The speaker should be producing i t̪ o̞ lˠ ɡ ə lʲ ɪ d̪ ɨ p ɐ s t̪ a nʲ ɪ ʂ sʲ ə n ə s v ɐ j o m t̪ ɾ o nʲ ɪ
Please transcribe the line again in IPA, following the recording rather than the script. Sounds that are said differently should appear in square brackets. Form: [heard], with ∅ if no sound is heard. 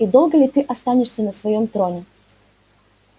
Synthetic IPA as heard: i [d̪] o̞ lˠ ɡ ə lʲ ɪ [t̪] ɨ [ʔ] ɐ s t̪ a nʲ ɪ ʂ sʲ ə n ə s v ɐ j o m t̪ ɾ o nʲ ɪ

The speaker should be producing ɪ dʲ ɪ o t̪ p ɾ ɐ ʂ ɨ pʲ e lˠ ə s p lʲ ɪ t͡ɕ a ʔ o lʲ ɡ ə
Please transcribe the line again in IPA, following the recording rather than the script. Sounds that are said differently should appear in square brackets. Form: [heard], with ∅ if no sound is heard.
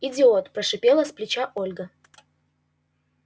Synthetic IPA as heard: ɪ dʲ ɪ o t̪ p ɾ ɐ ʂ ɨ pʲ e lˠ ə s p lʲ ɪ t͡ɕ a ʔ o lʲ ɡ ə

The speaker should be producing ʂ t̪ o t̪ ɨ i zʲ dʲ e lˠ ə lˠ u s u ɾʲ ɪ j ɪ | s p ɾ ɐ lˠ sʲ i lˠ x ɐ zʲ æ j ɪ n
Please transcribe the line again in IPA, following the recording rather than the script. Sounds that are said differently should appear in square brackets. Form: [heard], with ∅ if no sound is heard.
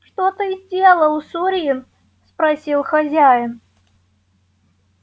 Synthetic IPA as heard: ʂ t̪ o t̪ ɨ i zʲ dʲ e lˠ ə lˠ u s u ɾʲ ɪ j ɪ | s p ɾ ɐ [∅] sʲ i lˠ x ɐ zʲ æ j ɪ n

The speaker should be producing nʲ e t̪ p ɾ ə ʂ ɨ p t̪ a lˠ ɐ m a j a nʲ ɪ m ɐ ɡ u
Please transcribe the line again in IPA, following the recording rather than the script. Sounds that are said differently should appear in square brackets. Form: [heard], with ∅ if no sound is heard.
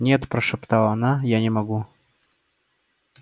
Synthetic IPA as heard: nʲ e t̪ p ɾ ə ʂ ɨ p t̪ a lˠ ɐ [n] a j a nʲ ɪ m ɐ ɡ u

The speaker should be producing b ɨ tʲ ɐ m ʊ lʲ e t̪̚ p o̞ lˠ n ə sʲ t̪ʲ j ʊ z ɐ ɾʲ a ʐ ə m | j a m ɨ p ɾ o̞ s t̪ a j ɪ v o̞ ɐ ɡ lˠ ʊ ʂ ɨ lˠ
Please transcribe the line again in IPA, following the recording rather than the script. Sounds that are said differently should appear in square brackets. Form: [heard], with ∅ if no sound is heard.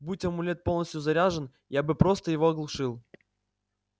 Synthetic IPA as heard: b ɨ tʲ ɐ m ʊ lʲ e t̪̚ p o̞ lˠ n ə sʲ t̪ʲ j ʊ z ɐ ɾʲ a ʐ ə [n] | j a [b] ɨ p ɾ o̞ s t̪ [ə] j ɪ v o̞ ɐ ɡ lˠ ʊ ʂ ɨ lˠ

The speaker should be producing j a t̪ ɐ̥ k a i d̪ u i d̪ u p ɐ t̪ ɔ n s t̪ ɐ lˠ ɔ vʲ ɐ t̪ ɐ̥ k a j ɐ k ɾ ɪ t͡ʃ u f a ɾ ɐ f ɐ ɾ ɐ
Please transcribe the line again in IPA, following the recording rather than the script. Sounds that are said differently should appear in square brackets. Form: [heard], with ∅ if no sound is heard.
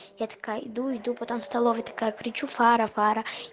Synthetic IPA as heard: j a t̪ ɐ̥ k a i d̪ u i d̪ u p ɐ t̪ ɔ [m] s t̪ ɐ lˠ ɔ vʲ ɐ t̪ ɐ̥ k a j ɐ k ɾ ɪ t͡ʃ u f a ɾ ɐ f [a] ɾ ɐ

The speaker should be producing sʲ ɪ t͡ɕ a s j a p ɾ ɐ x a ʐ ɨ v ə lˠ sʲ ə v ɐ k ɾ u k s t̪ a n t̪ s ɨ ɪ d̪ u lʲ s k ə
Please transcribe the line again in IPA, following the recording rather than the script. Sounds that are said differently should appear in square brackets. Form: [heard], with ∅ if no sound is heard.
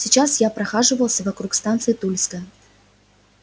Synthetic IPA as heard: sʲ ɪ t͡ɕ a s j a p ɾ ɐ x a ʐ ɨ v ə lˠ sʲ ə v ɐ k ɾ u k s t̪ a n t̪ s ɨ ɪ [t̪] u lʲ s k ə

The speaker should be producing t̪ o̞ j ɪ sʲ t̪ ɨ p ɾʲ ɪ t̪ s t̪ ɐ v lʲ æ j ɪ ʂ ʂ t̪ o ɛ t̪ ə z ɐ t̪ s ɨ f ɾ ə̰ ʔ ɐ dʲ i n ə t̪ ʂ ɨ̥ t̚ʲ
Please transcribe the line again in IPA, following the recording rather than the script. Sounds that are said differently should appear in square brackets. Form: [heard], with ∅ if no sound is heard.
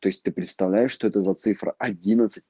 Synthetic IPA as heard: t̪ o̞ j ɪ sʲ t̪ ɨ p ɾʲ ɪ t̪ s t̪ ɐ v lʲ æ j ɪ ʂ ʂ t̪ o ɛ t̪ ə z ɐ t̪ s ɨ f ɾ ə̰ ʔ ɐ dʲ i n ə t̪ [s] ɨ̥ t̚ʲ

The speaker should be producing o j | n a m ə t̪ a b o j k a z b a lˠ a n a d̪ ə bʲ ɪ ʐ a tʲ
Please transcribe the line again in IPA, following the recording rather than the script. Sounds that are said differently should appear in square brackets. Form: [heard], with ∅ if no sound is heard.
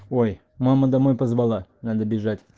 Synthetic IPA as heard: o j | [m] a m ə [d̪] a [m] o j [p] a z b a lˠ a n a d̪ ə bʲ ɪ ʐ a tʲ

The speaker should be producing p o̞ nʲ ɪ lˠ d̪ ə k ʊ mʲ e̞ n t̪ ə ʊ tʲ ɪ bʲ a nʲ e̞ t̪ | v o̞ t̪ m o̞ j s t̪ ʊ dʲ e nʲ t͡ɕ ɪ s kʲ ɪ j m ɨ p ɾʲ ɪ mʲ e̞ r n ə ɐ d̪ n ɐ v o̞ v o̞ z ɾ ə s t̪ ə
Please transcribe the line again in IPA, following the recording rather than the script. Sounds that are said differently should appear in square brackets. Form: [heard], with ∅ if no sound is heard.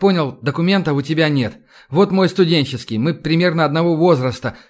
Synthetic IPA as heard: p o̞ nʲ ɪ lˠ d̪ ə k ʊ mʲ e̞ n t̪ ə ʊ tʲ ɪ bʲ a nʲ e̞ t̪ | v o̞ t̪ m o̞ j s t̪ ʊ dʲ e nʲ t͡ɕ ɪ s kʲ ɪ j m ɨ p ɾʲ ɪ mʲ e̞ r n ə ɐ d̪ n ɐ v o̞ v o̞ z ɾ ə s t̪ ə

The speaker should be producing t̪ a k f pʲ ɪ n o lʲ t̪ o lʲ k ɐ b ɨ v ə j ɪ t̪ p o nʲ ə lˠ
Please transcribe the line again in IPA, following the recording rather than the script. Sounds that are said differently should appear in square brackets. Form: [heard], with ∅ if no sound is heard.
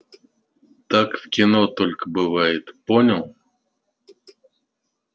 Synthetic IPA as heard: t̪ a k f [kʲ] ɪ n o [∅] t̪ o lʲ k [ə] b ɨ v [a] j ɪ t̪ p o nʲ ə lˠ

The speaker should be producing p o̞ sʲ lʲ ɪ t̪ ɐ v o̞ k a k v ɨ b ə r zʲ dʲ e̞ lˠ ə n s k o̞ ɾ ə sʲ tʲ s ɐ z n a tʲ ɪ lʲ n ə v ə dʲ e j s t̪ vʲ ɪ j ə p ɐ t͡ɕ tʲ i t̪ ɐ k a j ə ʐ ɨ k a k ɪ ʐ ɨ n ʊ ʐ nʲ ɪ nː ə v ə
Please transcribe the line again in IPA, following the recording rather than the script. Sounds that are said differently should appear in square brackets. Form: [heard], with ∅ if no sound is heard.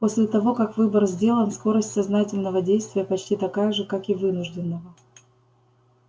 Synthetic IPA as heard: p o̞ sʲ lʲ ɪ t̪ ɐ v o̞ k a k v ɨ b ə r zʲ dʲ e̞ lˠ ə n s k o̞ ɾ ə sʲ tʲ s ɐ z n a tʲ ɪ lʲ n ə v ə dʲ e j s t̪ vʲ ɪ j ə p ɐ t͡ɕ tʲ i t̪ ɐ k a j ə ʐ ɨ k a k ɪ [v] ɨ n ʊ ʐ [dʲ] ɪ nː ə v ə

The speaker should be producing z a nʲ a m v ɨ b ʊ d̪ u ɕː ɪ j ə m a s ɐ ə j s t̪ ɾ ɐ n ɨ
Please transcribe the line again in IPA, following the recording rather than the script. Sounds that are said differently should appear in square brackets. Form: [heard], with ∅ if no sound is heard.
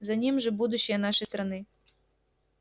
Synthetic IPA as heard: z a nʲ [i] m [ʐ] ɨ b [u] d̪ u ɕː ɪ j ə [n] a [ʂ] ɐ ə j s t̪ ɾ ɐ n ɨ

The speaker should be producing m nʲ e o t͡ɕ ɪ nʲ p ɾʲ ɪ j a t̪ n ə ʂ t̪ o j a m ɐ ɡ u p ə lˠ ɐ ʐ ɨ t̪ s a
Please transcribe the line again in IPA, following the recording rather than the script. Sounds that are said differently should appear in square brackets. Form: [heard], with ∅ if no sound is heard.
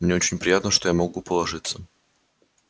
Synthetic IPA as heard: m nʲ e o t͡ɕ ɪ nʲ p ɾʲ ɪ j a t̪ n ə ʂ t̪ o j a m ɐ ɡ u p ə lˠ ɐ ʐ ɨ t̪ s [ə]

